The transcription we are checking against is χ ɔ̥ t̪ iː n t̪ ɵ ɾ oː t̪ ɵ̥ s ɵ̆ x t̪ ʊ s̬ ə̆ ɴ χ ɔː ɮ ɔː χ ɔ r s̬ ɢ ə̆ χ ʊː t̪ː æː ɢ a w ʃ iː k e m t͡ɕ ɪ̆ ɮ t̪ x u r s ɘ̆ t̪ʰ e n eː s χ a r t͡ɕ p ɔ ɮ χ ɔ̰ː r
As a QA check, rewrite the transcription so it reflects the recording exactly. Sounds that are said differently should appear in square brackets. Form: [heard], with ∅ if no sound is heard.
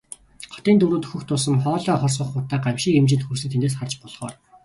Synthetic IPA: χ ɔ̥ t̪ iː n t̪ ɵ ɾ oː t̪ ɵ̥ [x] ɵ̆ x t̪ ʊ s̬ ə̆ [m] χ ɔː ɮ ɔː χ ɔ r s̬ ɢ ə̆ χ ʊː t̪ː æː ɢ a w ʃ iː k e m t͡ɕ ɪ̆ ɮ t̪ x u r s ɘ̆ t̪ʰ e n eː s χ a r t͡ɕ p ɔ ɮ χ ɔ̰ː r

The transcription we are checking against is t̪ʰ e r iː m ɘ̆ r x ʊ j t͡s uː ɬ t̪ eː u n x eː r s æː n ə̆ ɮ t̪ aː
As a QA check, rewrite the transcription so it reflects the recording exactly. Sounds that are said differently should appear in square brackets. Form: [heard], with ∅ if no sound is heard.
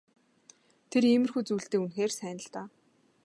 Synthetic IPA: t̪ʰ e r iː m ɘ̆ r x [u] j t͡s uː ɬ t̪ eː u n x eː r s æː n ə̆ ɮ t̪ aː

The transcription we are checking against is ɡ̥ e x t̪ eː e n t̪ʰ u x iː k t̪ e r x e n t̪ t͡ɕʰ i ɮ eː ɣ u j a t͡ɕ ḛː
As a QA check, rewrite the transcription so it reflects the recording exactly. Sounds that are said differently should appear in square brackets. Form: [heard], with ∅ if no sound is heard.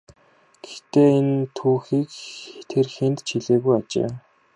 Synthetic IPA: ɡ̥ e x t̪ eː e n t̪ʰ [uː] x iː k [t̪ʰ] e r x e n t̪ t͡ɕʰ i ɮ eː ɣ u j a t͡ɕ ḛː

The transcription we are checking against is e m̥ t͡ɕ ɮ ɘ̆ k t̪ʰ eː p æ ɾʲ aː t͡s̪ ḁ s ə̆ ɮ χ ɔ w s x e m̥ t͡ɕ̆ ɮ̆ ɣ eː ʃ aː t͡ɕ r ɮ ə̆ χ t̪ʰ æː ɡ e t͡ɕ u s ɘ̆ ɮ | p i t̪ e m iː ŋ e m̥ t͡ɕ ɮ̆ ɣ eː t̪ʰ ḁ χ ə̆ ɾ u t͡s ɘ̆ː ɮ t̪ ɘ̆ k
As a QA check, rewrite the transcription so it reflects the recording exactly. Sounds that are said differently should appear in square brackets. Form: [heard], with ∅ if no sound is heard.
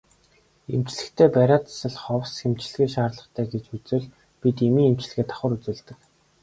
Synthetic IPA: e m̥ t͡ɕ ɮ ɘ̆ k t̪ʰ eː p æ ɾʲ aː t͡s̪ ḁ s ə̆ ɮ χ ɔ w s x e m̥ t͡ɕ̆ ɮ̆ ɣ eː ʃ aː [∅] r ɮ ə̆ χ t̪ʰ æː ɡ e t͡ɕ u [t͡s] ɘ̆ ɮ | p i t̪ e m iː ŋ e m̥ t͡ɕ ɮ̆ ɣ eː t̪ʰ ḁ χ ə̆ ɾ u t͡s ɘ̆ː ɮ t̪ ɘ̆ k

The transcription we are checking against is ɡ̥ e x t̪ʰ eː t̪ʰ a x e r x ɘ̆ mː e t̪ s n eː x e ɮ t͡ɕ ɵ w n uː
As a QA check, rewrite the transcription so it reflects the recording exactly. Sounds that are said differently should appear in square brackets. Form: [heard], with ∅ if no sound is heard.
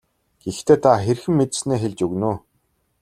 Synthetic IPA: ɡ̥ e x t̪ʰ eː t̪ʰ a x e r x ɘ̆ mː e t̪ s n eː x e ɮ t͡ɕ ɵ [ɣ] n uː

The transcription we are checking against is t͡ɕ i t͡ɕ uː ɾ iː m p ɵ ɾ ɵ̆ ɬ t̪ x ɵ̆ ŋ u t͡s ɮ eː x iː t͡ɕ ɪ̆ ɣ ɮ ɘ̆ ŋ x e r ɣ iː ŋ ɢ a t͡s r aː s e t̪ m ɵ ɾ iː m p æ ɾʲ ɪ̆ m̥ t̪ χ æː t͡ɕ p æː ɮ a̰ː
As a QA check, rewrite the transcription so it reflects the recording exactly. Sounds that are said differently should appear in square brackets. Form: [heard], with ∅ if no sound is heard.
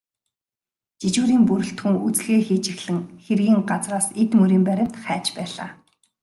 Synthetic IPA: t͡ɕ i t͡ɕ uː ɾ iː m p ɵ ɾ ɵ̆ ɬ t̪ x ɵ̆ ŋ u t͡s ɮ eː x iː t͡ɕ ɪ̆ [x] ɮ ɘ̆ ŋ x e r ɣ iː ŋ ɢ a t͡s r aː s e t̪ m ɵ ɾ iː m p æ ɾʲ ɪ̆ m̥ t̪ χ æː t͡ɕ p æː ɮ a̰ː

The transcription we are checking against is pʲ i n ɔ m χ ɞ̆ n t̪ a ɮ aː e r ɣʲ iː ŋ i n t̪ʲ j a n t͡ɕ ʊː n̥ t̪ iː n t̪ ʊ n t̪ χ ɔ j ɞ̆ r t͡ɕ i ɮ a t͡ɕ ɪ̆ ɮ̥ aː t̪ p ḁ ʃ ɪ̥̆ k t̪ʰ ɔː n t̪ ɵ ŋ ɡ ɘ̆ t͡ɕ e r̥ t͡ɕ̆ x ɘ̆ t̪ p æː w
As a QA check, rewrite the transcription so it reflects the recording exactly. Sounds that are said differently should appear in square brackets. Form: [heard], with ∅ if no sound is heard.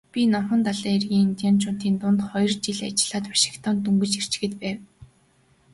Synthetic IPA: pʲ i n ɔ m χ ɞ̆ n t̪ a ɮ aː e r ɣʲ iː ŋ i n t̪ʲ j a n t͡ɕ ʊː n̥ t̪ iː n t̪ ʊ n t̪ χ ɔ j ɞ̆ r t͡ɕ i ɮ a t͡ɕ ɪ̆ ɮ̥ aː t̪ p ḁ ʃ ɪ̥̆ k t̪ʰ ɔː n t̪ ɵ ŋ ɡ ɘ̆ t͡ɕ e r̥ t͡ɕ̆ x ɘ̆ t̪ p æː w

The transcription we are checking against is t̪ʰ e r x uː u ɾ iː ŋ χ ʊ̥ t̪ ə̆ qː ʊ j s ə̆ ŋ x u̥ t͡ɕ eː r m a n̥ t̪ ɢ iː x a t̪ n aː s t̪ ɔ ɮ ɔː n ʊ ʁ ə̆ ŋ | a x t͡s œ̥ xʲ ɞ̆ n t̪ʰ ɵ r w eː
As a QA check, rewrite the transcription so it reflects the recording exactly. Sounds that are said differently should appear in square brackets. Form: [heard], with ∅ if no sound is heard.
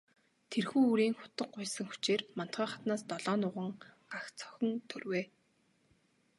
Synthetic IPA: t̪ʰ e r x uː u ɾ iː ŋ [x] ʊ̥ t̪ ə̆ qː ʊ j s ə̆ ŋ x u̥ t͡ɕ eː r m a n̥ t̪ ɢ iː [χ] a t̪ n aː s t̪ ɔ ɮ ɔː n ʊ ʁ ə̆ ŋ | a x t͡s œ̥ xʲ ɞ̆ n t̪ʰ ɵ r w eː

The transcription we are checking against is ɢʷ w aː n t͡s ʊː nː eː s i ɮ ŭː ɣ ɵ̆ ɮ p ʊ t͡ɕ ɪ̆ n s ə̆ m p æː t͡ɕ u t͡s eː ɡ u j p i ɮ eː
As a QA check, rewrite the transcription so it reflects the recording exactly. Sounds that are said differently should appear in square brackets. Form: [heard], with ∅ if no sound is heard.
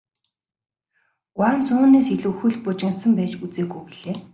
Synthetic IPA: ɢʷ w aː n t͡s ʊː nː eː s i ɮ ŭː [x] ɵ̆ ɮ p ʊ t͡ɕ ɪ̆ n s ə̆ m p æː t͡ɕ u t͡s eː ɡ u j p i ɮ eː

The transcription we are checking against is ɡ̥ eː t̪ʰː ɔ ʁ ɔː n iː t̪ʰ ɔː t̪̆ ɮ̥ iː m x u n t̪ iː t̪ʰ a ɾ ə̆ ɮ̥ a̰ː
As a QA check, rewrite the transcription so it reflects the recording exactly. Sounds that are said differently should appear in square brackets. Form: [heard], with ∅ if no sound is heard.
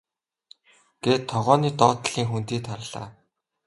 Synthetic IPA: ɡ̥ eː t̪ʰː ɔ ʁ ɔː n iː [t̪] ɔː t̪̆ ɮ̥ iː [ŋ] x u n t̪ iː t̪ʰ a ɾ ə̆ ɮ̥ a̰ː

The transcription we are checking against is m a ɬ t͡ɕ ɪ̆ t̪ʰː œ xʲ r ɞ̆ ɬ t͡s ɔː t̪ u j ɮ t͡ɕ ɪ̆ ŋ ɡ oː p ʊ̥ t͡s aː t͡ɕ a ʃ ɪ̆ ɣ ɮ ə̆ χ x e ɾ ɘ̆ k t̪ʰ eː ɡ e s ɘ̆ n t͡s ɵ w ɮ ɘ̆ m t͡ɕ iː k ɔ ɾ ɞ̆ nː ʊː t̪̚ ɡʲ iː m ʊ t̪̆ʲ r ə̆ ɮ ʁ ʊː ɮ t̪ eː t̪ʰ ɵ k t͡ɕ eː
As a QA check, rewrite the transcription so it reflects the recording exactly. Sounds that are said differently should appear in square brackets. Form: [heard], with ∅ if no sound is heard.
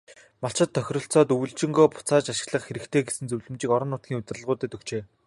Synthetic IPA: m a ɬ t͡ɕ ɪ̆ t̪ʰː œ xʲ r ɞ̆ ɬ t͡s ɔː t̪ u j ɮ t͡ɕ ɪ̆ ŋ ɡ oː p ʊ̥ t͡s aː t͡ɕ a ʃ ɪ̆ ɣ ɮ ə̆ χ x e ɾ ɘ̆ k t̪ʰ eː ɡ e s ɘ̆ n t͡s ɵ w ɮ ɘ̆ m t͡ɕ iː k ɔ ɾ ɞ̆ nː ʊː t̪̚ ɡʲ iː [ŋ] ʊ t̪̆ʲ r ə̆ ɮ ʁ ʊː [∅] t̪ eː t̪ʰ ɵ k t͡ɕ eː

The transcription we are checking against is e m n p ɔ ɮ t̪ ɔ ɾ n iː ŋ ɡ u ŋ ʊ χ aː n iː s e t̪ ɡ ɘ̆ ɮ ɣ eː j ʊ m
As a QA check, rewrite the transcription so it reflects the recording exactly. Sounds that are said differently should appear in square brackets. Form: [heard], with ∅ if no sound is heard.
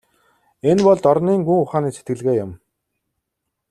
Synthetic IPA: e [∅] n p ɔ ɮ t̪ ɔ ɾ n iː ŋ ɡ u ŋ ʊ χ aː n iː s e t̪ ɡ ɘ̆ ɮ ɣ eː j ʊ m

